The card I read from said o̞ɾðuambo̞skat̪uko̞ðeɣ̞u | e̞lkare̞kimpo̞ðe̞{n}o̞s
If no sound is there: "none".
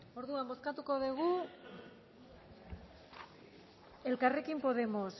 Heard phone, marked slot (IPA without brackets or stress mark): m